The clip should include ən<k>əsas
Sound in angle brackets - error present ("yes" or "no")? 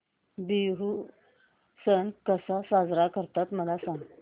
no